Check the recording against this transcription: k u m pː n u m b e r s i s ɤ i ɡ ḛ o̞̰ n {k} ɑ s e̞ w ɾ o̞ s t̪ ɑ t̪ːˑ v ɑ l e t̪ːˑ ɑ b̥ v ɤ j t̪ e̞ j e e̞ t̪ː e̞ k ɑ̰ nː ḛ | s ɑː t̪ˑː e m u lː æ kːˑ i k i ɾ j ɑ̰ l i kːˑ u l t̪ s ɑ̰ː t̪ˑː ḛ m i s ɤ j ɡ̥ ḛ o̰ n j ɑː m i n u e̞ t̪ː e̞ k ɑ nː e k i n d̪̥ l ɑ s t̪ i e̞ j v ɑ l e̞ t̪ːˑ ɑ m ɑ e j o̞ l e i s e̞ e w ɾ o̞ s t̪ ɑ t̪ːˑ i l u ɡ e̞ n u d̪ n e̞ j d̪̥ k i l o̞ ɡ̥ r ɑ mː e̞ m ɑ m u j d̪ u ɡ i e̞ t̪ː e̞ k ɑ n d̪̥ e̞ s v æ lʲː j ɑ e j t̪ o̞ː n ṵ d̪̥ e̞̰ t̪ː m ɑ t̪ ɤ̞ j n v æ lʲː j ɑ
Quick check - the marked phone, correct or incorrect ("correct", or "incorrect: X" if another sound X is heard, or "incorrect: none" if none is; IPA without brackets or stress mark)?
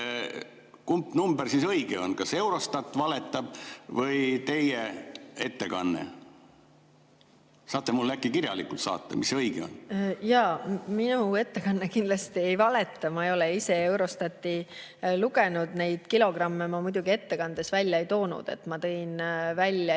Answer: correct